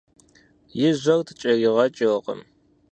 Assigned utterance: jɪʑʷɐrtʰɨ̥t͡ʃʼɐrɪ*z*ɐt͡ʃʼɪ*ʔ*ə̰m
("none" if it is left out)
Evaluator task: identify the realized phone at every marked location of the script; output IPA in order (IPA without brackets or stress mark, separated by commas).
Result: ʁ, q